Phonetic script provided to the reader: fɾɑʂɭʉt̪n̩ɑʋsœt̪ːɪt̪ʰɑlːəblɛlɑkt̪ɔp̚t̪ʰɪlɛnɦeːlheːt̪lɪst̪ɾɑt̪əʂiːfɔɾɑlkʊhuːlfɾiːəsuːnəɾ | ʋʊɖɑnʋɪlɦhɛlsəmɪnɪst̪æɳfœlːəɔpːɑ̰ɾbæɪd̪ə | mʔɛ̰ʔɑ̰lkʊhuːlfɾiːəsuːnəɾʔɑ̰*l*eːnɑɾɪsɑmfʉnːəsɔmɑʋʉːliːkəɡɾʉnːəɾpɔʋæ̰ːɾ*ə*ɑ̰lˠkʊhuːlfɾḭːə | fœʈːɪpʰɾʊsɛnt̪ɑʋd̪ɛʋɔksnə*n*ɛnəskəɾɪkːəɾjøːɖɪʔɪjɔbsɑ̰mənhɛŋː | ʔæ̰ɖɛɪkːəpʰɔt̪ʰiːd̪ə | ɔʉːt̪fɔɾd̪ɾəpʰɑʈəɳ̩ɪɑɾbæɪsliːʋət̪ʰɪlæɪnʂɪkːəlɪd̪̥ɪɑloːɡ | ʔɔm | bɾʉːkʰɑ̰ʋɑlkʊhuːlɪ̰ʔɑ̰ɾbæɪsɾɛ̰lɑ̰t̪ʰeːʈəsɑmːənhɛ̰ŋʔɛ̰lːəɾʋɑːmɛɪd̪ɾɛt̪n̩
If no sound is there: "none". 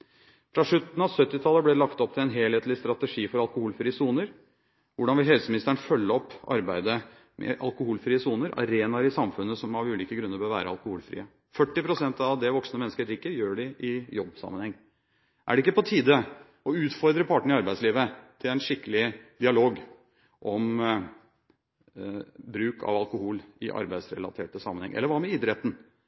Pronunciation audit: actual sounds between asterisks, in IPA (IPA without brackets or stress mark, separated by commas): ɾ, ə, m